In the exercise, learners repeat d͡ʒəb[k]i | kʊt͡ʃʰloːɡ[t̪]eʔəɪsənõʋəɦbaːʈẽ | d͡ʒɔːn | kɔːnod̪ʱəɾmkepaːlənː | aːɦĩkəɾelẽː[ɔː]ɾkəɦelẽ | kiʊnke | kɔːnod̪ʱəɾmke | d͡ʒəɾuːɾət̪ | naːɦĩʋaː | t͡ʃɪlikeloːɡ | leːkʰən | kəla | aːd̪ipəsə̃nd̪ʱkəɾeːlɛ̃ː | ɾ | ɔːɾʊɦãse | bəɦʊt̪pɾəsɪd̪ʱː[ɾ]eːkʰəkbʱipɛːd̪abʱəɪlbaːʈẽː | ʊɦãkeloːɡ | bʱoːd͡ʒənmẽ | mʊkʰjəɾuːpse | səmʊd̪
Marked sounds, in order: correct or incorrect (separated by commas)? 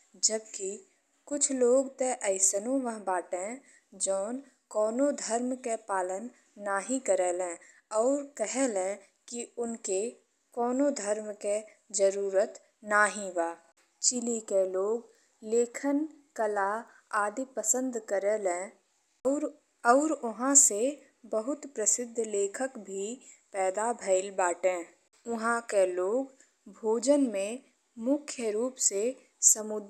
correct, correct, correct, incorrect